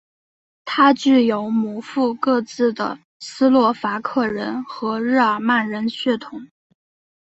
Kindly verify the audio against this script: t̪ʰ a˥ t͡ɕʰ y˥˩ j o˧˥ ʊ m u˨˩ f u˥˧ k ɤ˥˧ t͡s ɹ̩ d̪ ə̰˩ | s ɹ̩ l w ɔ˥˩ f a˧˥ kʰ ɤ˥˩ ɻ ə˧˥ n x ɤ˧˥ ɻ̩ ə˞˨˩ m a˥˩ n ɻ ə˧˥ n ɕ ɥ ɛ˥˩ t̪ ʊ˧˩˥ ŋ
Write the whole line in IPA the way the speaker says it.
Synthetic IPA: t̪ʰ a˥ t͡ɕ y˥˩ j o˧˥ ʊ m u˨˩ f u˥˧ k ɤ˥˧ t͡s ɹ̩ d̪ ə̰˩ | s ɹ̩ l w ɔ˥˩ f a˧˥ kʰ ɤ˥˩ ɻ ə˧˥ n x ɤ˧˥ ɻ̩ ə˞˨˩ m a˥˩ n ɻ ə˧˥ n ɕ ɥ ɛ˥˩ t̪ʰ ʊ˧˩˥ ŋ